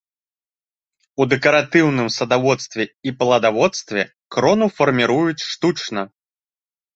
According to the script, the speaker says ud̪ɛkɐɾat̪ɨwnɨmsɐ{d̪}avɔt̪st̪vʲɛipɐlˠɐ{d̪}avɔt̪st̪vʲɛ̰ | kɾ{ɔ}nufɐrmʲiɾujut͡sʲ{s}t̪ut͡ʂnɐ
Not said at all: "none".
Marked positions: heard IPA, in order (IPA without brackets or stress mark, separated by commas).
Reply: d̪, d̪, ɔ, ʂ